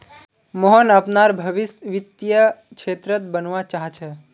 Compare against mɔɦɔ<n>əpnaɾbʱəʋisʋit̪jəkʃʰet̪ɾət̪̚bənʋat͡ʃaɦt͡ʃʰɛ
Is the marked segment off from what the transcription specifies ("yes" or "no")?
no